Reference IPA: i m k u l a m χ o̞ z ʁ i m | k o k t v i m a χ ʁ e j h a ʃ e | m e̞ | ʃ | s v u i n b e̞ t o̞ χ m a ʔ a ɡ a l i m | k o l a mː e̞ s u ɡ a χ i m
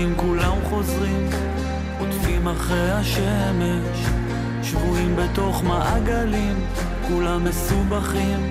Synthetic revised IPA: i m k u l a m χ o̞ z ʁ i m | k o t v i m a χ ʁ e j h a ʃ e | m e̞ | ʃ | ʃ v u i m b e̞ t o̞ χ m a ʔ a ɡ a l i m | k u l a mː e̞ s u b a χ i m